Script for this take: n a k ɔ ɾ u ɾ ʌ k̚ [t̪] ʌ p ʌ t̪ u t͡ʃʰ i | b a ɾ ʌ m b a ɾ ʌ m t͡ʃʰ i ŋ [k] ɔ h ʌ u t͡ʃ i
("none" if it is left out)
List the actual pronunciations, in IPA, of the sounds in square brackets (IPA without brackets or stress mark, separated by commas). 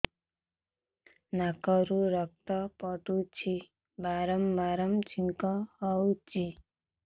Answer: t̪, k